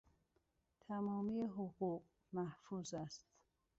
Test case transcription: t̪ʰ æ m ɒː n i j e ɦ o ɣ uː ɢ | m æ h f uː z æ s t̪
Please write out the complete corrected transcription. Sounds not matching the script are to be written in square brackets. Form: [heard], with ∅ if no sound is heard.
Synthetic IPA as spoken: t̪ʰ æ m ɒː [m] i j e ɦ o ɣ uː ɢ | m æ h f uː z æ s t̪

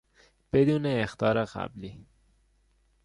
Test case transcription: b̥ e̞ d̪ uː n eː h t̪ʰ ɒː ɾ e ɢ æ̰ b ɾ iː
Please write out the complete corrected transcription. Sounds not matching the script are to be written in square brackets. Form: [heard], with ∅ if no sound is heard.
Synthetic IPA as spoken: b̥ e̞ d̪ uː n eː [x] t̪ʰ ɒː ɾ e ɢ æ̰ b [l] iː

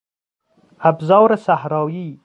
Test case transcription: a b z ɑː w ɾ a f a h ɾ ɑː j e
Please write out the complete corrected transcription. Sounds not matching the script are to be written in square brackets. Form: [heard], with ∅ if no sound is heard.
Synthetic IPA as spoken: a b z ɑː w ɾ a [s] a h ɾ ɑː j [i]

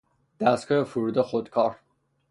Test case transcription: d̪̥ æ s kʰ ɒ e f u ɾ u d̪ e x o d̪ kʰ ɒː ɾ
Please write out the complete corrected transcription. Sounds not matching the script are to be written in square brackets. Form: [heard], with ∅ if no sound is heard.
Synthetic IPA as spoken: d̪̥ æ s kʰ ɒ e f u ɾ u d̪ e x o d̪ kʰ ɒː ɾ

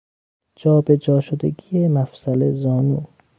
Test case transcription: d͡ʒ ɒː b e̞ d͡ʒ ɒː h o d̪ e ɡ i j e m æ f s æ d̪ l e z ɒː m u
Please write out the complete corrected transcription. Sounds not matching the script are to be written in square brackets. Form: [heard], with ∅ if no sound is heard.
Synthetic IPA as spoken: d͡ʒ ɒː b e̞ d͡ʒ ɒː [ʃ] o d̪ e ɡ i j e m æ f s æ [∅] l e z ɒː [n] u

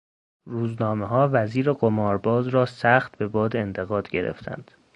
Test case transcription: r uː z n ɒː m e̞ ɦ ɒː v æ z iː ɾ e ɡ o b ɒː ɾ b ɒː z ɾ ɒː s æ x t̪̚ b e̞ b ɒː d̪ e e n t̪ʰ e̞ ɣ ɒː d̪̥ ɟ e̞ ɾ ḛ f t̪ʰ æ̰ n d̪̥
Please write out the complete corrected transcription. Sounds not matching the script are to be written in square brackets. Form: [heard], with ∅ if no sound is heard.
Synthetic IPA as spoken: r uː z n ɒː m e̞ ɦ ɒː v æ z iː ɾ e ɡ o [m] ɒː ɾ b ɒː z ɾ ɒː s æ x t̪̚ b e̞ b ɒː d̪ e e n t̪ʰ e̞ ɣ ɒː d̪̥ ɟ e̞ ɾ ḛ f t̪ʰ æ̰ n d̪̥

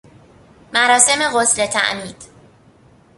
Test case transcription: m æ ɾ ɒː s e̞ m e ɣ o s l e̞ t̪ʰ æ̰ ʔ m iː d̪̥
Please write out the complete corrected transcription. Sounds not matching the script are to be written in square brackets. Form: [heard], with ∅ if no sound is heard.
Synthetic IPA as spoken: m æ ɾ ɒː s e̞ m e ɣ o s l e̞ t̪ʰ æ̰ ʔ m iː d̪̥

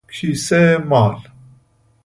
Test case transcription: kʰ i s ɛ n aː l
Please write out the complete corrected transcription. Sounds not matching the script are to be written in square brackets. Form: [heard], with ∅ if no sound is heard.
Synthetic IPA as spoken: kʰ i s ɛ [m] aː l

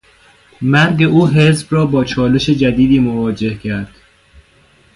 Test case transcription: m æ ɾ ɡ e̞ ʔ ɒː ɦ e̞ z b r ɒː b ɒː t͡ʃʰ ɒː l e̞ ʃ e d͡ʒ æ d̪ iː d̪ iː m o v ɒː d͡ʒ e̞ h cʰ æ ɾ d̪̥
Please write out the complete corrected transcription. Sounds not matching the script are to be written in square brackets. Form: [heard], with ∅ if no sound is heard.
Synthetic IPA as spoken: m æ ɾ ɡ e̞ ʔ [uː] ɦ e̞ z b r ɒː b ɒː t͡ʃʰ ɒː l e̞ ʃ e d͡ʒ æ d̪ iː d̪ iː m o v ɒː d͡ʒ e̞ h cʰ æ ɾ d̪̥

